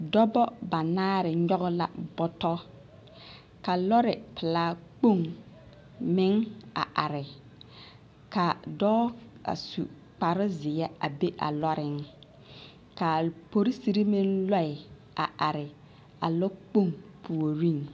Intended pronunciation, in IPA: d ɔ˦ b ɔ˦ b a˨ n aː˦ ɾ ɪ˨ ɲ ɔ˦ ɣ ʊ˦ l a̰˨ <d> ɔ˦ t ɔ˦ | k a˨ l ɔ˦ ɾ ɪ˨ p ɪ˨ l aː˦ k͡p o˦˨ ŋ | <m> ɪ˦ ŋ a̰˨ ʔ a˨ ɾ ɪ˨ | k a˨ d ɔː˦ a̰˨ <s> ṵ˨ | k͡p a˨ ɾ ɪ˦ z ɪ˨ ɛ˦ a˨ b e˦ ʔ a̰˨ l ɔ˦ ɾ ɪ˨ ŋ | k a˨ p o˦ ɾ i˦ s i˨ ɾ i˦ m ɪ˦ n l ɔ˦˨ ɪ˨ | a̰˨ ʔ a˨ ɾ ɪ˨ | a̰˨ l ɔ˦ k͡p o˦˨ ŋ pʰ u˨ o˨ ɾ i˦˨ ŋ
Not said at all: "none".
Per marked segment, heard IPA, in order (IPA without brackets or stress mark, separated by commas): b, m, s